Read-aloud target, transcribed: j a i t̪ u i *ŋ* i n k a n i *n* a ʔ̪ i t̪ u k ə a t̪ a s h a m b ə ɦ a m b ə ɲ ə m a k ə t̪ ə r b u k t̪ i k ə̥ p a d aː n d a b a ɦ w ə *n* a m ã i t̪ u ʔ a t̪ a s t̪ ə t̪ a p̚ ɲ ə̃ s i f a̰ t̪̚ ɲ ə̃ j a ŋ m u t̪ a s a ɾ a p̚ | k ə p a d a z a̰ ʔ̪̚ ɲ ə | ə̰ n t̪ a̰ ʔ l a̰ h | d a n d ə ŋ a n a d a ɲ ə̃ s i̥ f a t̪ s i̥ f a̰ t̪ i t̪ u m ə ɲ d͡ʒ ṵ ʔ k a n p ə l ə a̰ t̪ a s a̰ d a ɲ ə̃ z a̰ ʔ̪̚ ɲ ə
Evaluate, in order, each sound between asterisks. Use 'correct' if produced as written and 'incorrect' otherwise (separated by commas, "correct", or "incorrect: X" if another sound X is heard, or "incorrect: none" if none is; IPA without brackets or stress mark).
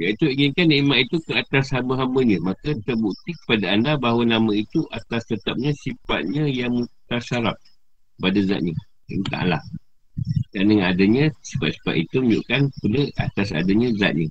correct, incorrect: m, correct